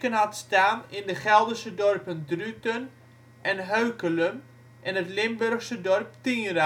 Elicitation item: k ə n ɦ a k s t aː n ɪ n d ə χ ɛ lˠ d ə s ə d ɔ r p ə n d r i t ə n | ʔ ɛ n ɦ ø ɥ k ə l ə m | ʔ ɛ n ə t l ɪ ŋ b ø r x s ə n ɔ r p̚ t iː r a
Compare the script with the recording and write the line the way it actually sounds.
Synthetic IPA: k ə n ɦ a t s t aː n ɪ n d ə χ ɛ lˠ d ə s ə d ɔ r p ə n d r y t ə n | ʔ ɛ n ɦ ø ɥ k ə l ə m | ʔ ɛ n ə t l ɪ m b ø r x s ə d ɔ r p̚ t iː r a